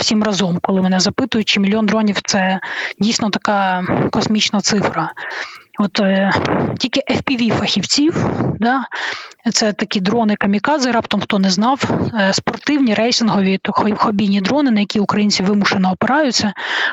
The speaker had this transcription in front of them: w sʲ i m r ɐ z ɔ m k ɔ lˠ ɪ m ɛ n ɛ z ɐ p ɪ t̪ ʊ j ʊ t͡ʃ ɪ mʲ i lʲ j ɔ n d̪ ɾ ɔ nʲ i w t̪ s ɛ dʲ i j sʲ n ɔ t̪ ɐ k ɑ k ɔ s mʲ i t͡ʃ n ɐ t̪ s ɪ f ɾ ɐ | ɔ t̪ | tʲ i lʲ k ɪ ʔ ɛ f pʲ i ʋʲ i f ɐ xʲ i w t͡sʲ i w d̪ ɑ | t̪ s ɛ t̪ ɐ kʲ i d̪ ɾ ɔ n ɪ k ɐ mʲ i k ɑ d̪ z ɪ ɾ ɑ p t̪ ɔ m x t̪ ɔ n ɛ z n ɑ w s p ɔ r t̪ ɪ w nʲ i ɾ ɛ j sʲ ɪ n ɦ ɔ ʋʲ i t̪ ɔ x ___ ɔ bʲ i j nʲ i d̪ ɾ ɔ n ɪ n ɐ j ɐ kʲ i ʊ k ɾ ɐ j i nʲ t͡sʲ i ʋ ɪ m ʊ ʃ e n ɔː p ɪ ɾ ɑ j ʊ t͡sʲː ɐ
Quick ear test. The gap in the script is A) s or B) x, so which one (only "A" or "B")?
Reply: B